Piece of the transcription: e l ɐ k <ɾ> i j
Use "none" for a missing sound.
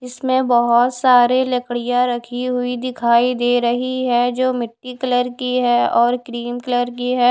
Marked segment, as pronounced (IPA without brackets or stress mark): ɽ